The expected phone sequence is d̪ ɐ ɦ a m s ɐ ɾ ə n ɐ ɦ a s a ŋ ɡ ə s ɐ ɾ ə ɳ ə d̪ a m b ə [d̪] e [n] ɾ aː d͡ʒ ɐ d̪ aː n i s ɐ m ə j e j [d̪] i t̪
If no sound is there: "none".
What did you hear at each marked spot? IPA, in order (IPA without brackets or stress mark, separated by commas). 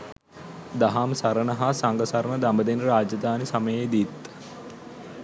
d̪, n, d̪